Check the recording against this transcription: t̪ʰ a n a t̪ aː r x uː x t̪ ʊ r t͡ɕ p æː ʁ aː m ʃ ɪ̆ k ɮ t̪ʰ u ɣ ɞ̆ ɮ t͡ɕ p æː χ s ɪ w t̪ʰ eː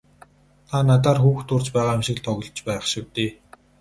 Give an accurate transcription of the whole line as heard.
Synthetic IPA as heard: t̪ʰ a n a t̪ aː r x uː x t̪ ʊ r t͡ɕ p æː ʁ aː m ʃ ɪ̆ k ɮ t̪ʰ ɔ ɣ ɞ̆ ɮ t͡ɕ p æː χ ʃ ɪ w t̪ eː